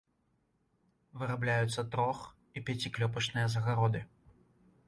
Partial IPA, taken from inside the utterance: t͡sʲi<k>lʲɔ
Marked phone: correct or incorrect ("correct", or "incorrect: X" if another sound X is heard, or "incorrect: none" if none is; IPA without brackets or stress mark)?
correct